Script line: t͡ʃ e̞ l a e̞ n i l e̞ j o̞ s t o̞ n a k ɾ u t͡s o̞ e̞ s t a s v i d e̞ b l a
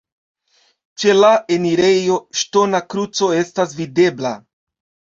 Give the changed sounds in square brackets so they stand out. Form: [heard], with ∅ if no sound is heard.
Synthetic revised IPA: t͡ʃ e̞ l a e̞ n i [ɾ] e̞ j o̞ [ʃ] t o̞ n a k ɾ u t͡s o̞ e̞ s t a s v i d e̞ b l a